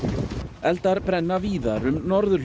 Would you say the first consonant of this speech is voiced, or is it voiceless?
voiced